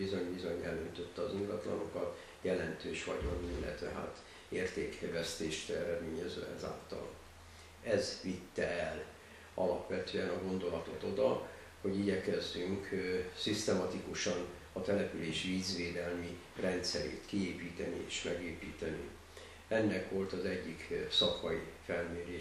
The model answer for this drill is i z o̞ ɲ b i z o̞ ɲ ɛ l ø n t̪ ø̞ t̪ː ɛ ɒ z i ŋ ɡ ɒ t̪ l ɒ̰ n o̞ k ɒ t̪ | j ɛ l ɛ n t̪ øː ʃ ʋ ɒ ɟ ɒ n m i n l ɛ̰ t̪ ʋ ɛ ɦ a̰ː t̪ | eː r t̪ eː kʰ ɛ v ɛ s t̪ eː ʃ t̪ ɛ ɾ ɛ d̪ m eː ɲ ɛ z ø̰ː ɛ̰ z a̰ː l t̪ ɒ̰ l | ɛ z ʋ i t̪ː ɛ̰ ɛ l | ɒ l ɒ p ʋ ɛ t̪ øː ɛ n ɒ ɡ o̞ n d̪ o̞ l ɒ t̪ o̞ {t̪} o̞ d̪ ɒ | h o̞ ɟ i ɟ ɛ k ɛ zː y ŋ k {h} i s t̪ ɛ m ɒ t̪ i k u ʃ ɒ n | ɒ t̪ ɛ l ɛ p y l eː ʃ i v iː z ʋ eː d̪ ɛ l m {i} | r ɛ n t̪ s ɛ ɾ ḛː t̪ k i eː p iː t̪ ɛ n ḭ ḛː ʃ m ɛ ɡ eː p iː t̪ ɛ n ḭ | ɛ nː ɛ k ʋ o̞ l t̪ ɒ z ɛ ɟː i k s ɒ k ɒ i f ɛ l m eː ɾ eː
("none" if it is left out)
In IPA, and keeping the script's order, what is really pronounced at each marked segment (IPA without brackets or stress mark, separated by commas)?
t̪, s, i